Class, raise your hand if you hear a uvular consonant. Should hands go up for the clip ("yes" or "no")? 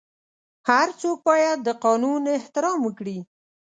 yes